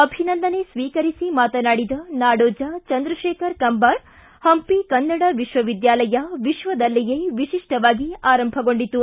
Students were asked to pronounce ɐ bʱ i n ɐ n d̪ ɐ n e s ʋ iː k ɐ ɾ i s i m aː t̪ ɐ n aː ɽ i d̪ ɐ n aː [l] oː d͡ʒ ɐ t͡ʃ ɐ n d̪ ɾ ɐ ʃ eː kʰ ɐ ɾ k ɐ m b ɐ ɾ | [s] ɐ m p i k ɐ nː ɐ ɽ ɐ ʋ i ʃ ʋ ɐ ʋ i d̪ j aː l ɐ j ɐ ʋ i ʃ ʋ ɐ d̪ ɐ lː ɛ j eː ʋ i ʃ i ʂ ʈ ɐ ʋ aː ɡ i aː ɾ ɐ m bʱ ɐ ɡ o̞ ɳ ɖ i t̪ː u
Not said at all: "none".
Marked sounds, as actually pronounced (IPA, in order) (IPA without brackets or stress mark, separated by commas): ɽ, h